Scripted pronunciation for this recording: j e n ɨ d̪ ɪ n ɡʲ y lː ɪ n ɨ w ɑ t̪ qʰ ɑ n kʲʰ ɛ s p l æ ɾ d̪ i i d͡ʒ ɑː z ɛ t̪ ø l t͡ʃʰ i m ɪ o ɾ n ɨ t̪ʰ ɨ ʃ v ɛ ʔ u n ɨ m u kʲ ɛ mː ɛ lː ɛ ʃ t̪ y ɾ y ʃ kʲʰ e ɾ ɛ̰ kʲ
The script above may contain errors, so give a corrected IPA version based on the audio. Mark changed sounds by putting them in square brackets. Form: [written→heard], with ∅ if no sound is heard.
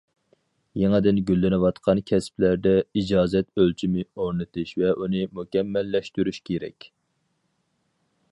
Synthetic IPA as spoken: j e [n→ŋ] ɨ d̪ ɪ n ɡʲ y lː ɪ n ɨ w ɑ t̪ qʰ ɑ n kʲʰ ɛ s p l æ ɾ d̪ [i→ɛ] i d͡ʒ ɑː z ɛ t̪ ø l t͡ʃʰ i m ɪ o ɾ n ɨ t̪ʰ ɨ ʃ v ɛ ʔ u n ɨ m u kʲ ɛ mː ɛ lː ɛ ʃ t̪ y ɾ y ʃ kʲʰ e ɾ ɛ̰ kʲ